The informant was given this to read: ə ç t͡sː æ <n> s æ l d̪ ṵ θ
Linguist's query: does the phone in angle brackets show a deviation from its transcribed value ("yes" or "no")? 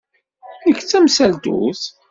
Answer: yes